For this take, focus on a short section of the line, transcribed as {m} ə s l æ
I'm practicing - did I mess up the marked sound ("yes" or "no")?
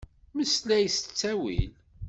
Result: no